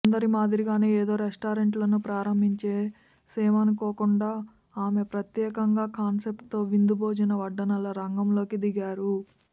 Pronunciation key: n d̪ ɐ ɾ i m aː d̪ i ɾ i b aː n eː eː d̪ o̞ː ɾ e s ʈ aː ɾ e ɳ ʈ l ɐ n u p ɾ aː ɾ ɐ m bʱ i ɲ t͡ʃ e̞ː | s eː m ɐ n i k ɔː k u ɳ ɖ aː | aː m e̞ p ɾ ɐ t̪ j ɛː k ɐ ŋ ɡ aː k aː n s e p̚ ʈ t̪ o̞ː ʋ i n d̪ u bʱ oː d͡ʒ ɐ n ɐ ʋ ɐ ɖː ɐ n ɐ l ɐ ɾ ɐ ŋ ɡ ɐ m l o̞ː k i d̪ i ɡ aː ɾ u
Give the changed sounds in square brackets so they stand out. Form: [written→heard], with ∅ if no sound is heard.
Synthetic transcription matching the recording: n d̪ ɐ ɾ i m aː d̪ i ɾ i [b→ɡ] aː n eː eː d̪ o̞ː ɾ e s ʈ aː ɾ e ɳ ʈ l ɐ n u p ɾ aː ɾ ɐ m bʱ i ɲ t͡ʃ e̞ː | s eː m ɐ n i k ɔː k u ɳ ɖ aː | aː m e̞ p ɾ ɐ t̪ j ɛː k ɐ ŋ ɡ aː k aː n s e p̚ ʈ t̪ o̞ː ʋ i n d̪ u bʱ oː d͡ʒ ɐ n ɐ ʋ ɐ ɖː ɐ n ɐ l ɐ ɾ ɐ ŋ ɡ ɐ m l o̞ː k i d̪ i ɡ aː ɾ u